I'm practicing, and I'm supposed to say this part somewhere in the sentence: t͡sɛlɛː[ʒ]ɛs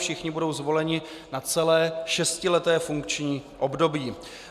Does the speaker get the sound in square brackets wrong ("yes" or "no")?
yes